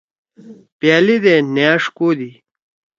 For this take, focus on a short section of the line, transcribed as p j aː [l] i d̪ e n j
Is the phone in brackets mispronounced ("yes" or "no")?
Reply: no